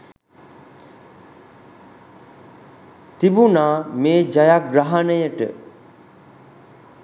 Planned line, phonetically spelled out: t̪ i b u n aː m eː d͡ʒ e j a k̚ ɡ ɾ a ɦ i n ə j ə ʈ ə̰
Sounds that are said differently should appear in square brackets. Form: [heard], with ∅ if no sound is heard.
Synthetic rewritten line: t̪ i b u n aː m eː d͡ʒ [a] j a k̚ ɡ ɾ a ɦ [a] n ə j ə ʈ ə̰